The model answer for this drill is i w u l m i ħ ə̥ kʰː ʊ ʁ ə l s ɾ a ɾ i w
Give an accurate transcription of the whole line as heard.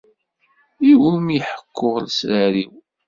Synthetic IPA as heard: i w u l m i ħ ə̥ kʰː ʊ ʁ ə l s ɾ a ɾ i w